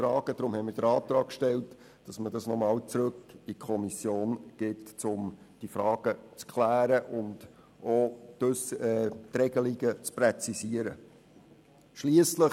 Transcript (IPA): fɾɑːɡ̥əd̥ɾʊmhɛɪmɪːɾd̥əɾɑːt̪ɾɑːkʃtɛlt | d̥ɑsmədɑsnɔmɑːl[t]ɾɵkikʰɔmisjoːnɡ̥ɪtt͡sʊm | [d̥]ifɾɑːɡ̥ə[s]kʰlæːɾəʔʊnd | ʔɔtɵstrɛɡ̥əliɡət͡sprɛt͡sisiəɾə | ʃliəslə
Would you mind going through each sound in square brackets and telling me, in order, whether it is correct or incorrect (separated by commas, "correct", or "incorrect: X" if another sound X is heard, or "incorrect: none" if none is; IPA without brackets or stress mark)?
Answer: incorrect: t͡s, correct, incorrect: t͡s